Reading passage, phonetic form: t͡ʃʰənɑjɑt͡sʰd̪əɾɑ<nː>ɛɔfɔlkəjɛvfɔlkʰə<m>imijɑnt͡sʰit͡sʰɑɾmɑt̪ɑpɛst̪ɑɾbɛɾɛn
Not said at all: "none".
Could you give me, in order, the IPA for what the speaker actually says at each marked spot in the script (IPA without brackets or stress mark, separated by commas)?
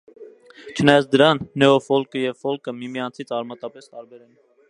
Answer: nː, m